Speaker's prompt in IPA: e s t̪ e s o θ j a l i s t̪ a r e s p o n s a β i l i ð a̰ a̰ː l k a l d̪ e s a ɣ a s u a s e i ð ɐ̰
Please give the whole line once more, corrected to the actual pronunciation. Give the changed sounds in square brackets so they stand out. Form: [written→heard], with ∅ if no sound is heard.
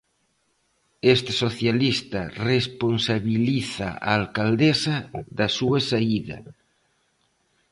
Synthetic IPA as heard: e s t̪ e s o θ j a l i s t̪ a r e s p o n s a β i l i [ð→θ] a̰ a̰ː l k a l d̪ e s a [ɣ→ð] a s u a s [e→a] i ð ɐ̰